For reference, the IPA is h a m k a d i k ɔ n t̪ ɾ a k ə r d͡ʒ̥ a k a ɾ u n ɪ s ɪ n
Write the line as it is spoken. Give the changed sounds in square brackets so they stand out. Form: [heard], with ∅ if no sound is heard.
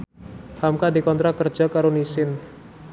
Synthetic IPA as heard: h a m k a d i k ɔ n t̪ ɾ a k ə r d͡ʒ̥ a k a ɾ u n [i] s ɪ n